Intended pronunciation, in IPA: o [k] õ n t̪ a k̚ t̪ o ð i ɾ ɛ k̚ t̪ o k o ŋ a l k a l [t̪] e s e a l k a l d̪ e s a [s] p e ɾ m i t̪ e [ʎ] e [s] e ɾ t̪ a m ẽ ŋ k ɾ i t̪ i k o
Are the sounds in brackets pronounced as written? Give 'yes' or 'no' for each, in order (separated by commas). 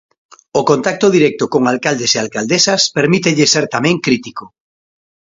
yes, no, yes, yes, yes